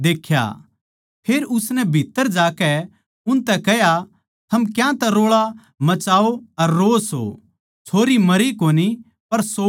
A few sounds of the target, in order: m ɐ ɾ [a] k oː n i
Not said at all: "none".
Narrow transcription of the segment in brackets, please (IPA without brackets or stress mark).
i